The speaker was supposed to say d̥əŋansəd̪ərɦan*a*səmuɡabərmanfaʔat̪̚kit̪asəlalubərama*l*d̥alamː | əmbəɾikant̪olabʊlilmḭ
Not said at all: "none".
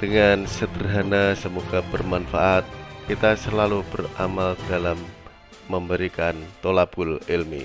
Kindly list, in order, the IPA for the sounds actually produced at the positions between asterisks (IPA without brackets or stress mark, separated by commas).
a, l